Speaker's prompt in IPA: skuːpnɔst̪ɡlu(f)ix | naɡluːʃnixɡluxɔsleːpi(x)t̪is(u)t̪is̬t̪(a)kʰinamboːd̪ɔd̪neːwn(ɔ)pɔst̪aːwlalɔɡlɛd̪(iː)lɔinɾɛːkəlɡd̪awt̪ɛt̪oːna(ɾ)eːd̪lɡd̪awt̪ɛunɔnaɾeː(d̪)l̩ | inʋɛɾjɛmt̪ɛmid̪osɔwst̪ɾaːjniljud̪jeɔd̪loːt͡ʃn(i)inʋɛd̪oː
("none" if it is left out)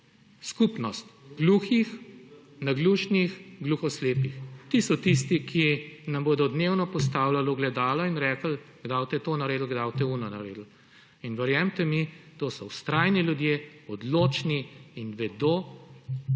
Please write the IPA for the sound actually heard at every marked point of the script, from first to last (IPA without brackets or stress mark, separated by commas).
x, x, ɔ, i, ɔ, aː, ɾ, d̪, i